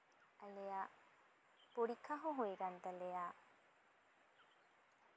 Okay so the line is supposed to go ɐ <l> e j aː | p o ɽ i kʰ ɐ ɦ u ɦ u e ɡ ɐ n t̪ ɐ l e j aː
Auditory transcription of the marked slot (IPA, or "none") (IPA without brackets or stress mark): l